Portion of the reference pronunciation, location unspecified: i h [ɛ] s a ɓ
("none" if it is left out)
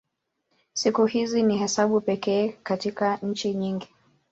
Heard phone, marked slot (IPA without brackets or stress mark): ɛ